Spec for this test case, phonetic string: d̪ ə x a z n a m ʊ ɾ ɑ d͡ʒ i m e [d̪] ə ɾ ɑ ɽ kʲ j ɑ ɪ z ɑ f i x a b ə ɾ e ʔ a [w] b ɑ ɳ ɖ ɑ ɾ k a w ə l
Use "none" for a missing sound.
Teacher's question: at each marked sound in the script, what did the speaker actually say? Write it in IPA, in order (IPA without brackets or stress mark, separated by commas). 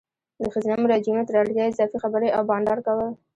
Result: t̪, w